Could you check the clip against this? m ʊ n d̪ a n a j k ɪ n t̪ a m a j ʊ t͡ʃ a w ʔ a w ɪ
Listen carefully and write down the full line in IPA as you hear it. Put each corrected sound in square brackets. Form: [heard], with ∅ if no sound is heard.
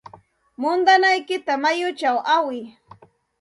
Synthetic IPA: m ʊ n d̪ a n a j k ɪ [∅] t̪ a m a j ʊ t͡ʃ a w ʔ a w ɪ